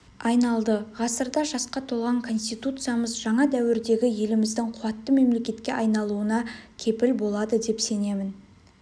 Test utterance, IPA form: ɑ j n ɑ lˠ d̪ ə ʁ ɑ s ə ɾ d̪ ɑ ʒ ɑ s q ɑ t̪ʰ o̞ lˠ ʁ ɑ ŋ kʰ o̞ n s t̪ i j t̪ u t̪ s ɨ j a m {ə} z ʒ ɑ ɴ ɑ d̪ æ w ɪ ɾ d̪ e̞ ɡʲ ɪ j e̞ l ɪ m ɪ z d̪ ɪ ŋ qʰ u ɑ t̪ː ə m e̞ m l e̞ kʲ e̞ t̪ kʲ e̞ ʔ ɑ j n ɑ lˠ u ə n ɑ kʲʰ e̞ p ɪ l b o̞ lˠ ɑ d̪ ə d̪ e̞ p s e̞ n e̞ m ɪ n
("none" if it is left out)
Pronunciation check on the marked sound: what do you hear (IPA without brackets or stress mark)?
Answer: ə